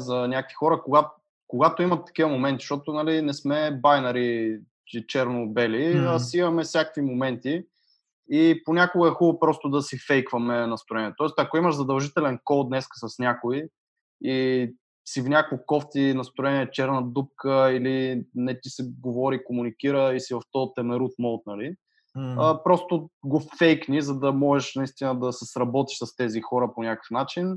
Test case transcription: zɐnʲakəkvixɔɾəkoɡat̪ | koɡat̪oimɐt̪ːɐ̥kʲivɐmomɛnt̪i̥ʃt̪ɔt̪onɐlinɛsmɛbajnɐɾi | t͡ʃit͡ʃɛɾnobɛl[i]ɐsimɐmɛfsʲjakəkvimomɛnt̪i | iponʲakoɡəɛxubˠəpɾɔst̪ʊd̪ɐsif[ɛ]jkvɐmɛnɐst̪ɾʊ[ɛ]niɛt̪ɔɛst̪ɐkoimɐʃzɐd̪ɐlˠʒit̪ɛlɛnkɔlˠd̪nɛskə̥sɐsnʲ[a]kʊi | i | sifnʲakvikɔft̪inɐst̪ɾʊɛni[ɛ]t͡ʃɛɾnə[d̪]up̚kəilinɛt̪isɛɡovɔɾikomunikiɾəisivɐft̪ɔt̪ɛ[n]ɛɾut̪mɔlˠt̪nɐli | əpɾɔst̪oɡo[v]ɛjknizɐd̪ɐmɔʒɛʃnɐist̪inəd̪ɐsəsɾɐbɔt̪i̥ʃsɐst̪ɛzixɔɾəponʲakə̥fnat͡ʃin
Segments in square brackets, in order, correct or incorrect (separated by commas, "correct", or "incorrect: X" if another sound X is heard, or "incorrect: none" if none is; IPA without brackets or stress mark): correct, correct, correct, correct, correct, correct, incorrect: m, incorrect: f